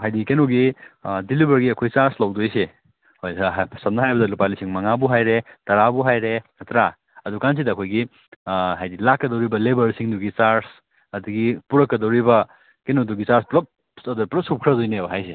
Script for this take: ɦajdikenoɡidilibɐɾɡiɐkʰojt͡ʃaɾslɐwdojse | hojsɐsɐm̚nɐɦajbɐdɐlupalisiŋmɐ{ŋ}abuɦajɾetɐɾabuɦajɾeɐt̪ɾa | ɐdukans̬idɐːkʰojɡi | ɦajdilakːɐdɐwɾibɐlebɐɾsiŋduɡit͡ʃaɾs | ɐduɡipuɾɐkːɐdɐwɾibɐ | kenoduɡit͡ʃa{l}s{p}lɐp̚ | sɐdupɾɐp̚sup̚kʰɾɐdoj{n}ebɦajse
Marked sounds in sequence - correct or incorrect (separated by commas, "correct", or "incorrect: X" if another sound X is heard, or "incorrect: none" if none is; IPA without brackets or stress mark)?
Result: correct, incorrect: ɾ, correct, correct